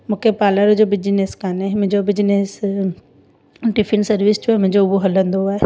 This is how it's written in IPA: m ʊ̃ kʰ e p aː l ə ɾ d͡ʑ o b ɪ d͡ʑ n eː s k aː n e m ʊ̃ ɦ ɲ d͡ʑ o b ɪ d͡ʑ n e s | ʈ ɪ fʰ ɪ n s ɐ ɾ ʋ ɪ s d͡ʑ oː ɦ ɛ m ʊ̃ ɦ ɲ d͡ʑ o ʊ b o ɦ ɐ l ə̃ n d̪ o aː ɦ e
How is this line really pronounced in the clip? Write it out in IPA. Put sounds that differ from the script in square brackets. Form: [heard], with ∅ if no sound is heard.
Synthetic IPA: m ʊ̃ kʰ e p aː l ə ɾ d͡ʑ o b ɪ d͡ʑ n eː s k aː n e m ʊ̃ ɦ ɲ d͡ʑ o b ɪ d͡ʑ n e s | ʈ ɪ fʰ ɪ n s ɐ ɾ ʋ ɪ s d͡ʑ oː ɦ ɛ m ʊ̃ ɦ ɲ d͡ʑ o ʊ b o ɦ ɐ l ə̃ n d̪ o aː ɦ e